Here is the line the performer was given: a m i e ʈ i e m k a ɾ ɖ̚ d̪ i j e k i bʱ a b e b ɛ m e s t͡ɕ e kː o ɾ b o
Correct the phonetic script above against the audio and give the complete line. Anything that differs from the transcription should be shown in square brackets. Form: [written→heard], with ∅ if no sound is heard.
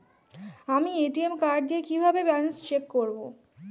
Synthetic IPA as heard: a m i e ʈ i e m k a ɾ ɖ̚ d̪ i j e k i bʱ a b e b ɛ [m→n] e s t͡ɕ e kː o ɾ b o